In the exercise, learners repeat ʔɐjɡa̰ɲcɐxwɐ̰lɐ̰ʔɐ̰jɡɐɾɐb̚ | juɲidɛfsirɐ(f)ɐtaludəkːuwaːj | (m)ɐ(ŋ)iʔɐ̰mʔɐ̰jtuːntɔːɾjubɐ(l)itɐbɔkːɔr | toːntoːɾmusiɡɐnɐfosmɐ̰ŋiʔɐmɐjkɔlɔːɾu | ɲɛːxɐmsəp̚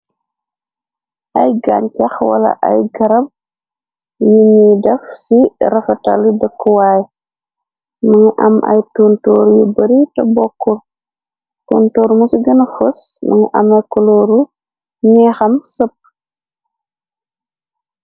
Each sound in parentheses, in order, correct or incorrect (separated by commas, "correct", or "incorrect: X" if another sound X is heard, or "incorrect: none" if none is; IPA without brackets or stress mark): correct, correct, correct, incorrect: ɾ